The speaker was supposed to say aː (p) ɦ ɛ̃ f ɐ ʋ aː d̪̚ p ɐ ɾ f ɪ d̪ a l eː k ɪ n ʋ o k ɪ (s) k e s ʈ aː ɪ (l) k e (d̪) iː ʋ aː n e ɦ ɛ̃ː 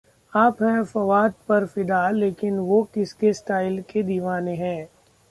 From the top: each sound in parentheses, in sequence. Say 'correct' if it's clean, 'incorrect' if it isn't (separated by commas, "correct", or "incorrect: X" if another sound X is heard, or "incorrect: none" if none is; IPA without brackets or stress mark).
correct, correct, correct, correct